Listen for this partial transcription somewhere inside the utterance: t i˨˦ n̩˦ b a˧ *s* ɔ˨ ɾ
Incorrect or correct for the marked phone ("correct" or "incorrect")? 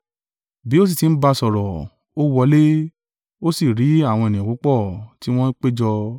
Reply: correct